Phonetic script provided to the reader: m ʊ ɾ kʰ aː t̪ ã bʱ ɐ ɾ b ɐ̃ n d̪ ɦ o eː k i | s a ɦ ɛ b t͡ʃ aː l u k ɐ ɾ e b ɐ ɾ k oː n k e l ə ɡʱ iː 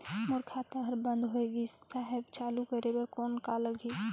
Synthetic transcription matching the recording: m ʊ ɾ kʰ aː t̪ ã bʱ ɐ ɾ b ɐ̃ n d̪ ɦ o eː ɡ i | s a ɦ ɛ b t͡ʃ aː l u k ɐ ɾ e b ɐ ɾ k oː n k a l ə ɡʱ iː